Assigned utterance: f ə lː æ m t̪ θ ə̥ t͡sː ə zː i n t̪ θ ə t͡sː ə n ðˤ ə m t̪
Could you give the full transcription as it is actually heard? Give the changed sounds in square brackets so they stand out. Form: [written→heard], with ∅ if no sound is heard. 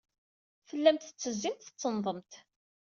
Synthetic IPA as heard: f ə lː æ m t̪ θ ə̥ t͡sː ə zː i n t̪ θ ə t͡sː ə n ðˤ ə m t̪